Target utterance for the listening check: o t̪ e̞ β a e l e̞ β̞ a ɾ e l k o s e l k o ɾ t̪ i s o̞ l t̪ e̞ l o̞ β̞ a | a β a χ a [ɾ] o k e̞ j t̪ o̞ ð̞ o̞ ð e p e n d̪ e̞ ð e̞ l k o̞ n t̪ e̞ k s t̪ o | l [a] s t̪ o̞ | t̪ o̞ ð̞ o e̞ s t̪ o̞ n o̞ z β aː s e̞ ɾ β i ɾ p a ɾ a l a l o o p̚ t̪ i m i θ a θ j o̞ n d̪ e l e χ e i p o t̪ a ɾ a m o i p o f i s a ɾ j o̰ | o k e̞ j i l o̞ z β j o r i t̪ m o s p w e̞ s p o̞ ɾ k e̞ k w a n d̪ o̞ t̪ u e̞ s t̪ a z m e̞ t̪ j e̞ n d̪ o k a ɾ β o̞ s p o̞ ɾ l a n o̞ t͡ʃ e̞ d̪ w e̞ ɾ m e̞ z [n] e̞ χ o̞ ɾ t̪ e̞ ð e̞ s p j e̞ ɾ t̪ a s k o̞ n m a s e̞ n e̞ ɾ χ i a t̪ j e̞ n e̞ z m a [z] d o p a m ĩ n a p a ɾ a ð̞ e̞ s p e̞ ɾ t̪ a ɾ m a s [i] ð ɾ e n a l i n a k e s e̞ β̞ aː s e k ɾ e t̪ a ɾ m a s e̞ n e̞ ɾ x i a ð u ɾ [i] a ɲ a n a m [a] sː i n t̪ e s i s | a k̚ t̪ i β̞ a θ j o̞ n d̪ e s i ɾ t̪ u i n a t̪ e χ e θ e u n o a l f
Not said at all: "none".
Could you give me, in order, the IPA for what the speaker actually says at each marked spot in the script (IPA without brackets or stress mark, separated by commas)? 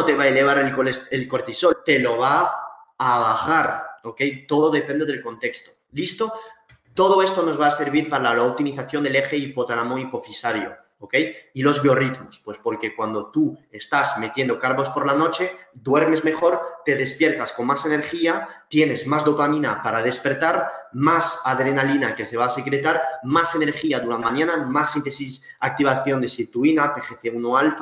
ɾ, i, m, z, a, a, a